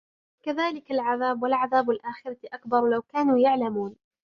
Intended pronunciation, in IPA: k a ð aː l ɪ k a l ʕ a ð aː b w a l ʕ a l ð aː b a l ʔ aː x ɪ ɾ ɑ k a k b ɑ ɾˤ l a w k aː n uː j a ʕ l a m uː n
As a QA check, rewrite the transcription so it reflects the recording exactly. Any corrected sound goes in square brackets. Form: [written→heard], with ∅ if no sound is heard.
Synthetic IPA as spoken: k a ð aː l ɪ k a l ʕ a ð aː b w a l ʕ a [l→∅] ð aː b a l ʔ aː x ɪ ɾ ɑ [k→ʔ] a k b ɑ ɾˤ l a w k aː n uː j a ʕ l a m uː n